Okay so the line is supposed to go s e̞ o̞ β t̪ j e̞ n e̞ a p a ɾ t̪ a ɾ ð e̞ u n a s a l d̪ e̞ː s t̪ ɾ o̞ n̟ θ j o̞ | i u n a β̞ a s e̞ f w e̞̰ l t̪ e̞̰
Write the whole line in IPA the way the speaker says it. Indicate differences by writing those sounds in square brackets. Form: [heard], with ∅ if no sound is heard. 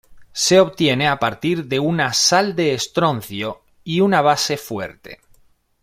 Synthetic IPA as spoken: s e̞ o̞ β t̪ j e̞ n e̞ a p a ɾ t̪ [i] ɾ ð e̞ u n a s a l d̪ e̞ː s t̪ ɾ o̞ n̟ θ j o̞ | i u n a β̞ a s e̞ f w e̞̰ [ɾ] t̪ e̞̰